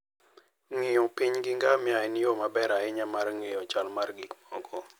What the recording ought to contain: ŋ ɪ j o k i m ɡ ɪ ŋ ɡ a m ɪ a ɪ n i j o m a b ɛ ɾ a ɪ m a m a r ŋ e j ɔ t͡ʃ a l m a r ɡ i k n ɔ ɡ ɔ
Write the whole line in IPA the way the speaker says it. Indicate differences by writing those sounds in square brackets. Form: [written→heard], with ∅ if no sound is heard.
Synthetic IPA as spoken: ŋ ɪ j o [k→p] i [m→ɲ] ɡ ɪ ŋ ɡ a m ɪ a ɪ n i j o m a b ɛ ɾ a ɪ [m→ɲ] a m a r ŋ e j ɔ t͡ʃ a l m a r ɡ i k [n→m] ɔ ɡ ɔ

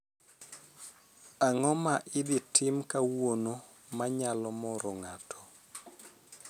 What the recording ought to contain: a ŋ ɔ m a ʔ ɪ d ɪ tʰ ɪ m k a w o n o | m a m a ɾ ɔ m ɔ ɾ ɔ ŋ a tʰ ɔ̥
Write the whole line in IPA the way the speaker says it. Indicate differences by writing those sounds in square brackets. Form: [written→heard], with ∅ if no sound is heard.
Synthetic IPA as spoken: a ŋ ɔ m a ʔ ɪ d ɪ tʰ ɪ m k a w o n o | m a [m→ɲ] a [ɾ→l] ɔ m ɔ ɾ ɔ ŋ a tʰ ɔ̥

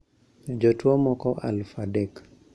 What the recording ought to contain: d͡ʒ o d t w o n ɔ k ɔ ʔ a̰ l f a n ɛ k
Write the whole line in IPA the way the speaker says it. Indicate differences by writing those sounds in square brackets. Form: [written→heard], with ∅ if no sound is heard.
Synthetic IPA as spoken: d͡ʒ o [d→∅] t w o [n→m] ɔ k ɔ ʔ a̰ l f a [n→d] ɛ k

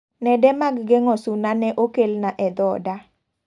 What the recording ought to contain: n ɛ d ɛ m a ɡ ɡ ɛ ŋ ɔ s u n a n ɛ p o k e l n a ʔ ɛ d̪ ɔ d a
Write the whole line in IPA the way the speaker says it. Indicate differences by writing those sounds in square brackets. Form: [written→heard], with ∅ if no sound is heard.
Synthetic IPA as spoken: n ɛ d ɛ m a ɡ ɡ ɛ ŋ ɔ s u n a n ɛ [p→ʔ] o k e l n a ʔ ɛ d̪ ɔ d a

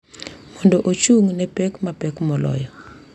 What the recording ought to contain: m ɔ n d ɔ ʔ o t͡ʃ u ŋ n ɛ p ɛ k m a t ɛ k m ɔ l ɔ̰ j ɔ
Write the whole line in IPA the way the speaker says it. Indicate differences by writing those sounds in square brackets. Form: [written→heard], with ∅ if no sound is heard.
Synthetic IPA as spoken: m ɔ n d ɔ ʔ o t͡ʃ u ŋ n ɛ p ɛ k m a [t→p] ɛ k m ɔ l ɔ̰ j ɔ

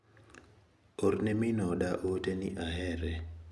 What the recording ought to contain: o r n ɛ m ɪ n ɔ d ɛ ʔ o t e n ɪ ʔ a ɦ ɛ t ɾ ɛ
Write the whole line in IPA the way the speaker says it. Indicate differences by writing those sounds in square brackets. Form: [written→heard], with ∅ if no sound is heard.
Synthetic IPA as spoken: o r n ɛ m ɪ n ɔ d [ɛ→a] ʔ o t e n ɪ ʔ a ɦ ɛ [t→∅] ɾ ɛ

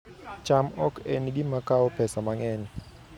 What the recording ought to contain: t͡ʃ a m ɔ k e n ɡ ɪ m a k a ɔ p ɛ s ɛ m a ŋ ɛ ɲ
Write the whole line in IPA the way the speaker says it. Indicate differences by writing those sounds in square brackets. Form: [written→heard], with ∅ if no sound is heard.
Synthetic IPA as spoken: t͡ʃ a m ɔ k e n ɡ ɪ m a k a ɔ p ɛ s [ɛ→a] m a ŋ ɛ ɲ

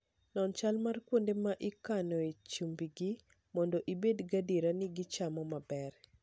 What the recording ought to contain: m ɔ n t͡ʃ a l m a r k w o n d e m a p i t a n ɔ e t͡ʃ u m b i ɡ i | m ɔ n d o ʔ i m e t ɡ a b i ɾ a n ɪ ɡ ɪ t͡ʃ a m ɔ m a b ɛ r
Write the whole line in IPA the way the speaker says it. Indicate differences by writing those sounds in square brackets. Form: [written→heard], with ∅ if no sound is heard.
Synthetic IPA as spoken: [m→n] ɔ n t͡ʃ a l m a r k w o n d e m a [p→ʔ] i [t→k] a n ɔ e t͡ʃ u m b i ɡ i | m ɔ n d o ʔ i [m→b] e [t→d] ɡ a [b→d] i ɾ a n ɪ ɡ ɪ t͡ʃ a m ɔ m a b ɛ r

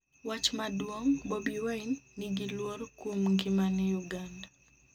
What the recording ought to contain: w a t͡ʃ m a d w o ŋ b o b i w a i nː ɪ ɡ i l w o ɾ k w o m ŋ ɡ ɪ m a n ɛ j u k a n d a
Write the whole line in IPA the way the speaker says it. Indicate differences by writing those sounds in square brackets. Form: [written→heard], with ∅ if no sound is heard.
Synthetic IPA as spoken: w a t͡ʃ m a d w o ŋ b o b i w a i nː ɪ ɡ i l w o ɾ k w o m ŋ ɡ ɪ m a n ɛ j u [k→ɡ] a n d a

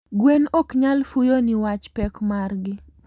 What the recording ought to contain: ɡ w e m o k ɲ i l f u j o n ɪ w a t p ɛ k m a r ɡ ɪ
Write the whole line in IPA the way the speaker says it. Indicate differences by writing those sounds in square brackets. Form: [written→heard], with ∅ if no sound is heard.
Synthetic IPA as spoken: ɡ w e [m→n] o k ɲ [i→a] l f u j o n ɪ w a [t→t͡ʃ] p ɛ k m a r ɡ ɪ

